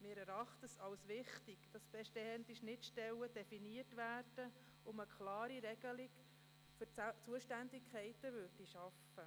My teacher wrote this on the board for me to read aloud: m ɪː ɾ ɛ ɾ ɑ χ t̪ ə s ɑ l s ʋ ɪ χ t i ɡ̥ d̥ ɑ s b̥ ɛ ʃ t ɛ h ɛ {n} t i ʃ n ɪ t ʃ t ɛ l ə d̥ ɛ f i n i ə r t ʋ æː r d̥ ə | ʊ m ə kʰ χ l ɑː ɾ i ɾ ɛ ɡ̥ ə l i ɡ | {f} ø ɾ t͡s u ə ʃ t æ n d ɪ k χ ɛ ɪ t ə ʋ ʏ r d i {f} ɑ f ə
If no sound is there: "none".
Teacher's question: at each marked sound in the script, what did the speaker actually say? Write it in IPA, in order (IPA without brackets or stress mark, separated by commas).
n, f, ʃ